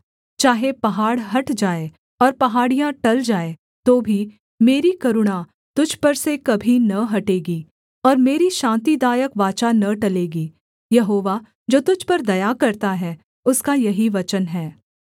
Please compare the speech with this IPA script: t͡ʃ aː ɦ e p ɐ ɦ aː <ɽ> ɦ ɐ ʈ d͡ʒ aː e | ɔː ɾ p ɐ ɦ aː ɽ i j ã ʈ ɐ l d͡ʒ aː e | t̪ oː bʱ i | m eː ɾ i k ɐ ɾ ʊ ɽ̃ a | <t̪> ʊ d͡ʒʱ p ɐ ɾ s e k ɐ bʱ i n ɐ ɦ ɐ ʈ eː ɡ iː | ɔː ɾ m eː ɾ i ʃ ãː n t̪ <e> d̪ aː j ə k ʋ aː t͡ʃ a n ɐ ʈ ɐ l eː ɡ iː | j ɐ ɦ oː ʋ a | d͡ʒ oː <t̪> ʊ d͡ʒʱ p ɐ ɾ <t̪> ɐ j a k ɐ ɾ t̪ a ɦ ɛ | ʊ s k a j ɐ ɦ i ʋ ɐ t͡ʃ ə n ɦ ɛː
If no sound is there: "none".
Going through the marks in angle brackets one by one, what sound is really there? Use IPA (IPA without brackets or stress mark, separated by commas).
ɽ, t̪, i, t̪, d̪